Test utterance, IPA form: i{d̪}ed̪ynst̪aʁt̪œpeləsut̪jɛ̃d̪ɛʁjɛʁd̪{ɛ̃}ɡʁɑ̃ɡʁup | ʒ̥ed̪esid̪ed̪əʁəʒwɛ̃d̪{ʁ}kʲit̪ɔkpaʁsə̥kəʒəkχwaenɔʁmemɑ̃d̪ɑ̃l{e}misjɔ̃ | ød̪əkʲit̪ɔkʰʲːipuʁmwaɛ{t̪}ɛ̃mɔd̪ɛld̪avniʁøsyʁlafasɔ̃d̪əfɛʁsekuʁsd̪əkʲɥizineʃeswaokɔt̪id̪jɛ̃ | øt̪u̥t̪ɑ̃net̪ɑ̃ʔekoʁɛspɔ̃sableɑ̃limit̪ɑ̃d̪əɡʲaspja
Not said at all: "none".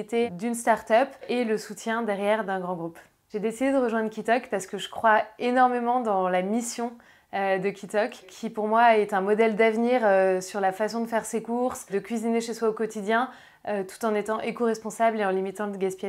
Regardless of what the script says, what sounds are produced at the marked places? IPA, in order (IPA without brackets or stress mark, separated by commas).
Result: t̪, ɛ̃, ʁ, a, t̪